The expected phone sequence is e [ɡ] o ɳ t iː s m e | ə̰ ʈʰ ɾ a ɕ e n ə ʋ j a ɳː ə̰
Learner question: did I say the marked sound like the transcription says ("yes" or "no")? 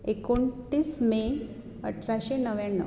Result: no